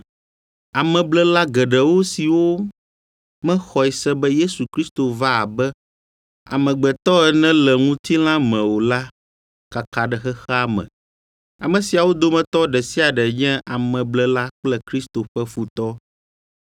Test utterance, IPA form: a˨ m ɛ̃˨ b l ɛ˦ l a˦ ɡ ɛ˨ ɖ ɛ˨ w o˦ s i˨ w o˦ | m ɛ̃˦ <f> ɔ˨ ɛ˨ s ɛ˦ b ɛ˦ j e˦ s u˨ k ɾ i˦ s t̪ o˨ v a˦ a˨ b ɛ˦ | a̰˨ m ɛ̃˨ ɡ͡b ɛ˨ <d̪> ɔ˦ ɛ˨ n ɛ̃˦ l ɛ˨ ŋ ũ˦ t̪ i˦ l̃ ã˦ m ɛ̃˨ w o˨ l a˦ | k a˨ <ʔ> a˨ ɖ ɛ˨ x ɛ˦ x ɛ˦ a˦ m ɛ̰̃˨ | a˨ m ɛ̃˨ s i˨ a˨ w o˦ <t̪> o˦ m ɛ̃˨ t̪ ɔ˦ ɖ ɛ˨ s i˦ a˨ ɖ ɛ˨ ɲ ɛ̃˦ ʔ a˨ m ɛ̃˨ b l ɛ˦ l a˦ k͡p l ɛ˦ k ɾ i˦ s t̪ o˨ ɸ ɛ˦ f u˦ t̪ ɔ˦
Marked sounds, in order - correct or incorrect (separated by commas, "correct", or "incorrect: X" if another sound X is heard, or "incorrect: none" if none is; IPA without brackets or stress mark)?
incorrect: x, incorrect: t̪, incorrect: k, incorrect: d̪